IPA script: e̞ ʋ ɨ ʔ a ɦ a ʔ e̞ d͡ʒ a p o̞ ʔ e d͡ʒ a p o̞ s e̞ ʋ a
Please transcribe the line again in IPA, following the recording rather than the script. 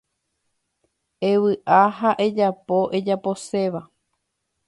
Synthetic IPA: e̞ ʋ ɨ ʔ a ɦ a ʔ e̞ d͡ʒ a p o̞ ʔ e d͡ʒ a p o̞ s e̞ ʋ a